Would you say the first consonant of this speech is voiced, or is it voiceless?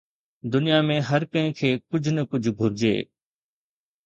voiced